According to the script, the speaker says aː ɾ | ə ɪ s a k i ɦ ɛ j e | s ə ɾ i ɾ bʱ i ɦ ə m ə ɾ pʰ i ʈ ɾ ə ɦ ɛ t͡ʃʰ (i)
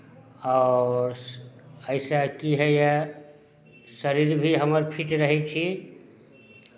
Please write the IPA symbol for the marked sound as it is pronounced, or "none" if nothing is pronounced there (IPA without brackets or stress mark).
i